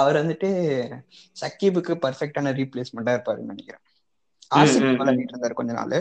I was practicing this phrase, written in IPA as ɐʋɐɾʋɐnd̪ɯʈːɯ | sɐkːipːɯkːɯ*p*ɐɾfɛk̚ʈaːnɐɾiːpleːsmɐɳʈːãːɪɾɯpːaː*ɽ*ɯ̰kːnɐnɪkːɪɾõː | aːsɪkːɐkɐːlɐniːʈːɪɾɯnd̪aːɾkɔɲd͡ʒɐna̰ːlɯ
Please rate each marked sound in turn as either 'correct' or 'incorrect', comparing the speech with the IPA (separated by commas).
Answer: correct, incorrect